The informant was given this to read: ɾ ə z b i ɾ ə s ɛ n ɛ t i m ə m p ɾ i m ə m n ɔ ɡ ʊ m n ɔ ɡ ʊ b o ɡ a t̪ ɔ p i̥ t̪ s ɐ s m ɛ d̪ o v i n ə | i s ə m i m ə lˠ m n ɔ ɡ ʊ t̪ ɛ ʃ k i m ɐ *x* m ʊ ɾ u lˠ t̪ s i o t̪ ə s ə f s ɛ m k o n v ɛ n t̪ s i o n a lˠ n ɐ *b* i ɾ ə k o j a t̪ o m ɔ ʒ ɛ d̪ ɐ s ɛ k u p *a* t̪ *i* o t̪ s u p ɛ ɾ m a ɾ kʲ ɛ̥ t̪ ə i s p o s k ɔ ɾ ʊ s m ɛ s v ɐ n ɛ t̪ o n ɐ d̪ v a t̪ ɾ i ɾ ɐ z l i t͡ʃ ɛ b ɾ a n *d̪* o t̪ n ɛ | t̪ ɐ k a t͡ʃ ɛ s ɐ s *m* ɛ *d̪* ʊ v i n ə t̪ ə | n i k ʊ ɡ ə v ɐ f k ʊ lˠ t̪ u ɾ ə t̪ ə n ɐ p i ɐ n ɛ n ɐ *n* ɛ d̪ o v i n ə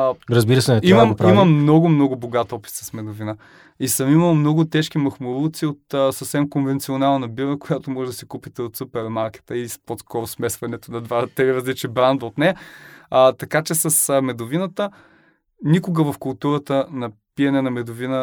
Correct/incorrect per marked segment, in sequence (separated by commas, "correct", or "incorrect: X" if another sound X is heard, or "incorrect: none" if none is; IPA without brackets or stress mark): correct, correct, incorrect: i, incorrect: ɛ, correct, correct, correct, incorrect: m